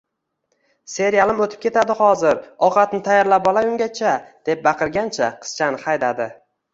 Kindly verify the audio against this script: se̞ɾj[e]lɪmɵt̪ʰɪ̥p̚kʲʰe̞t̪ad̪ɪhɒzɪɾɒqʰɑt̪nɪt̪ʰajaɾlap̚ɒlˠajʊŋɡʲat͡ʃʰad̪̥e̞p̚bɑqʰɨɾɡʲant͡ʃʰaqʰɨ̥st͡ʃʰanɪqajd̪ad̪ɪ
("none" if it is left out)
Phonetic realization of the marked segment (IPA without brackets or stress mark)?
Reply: a